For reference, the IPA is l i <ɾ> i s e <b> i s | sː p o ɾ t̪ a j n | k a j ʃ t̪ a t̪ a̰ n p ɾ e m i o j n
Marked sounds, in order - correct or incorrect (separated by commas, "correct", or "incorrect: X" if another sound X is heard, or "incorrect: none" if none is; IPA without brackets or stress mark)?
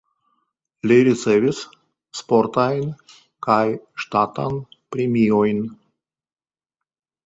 correct, incorrect: v